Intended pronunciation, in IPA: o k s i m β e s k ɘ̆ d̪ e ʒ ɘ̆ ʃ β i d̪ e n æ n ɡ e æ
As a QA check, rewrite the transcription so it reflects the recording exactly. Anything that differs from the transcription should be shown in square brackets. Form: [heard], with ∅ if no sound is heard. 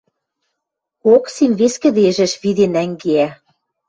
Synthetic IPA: o k s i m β e s k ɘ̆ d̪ e ʒ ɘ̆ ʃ β i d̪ e n æ [ŋ] ɡ e æ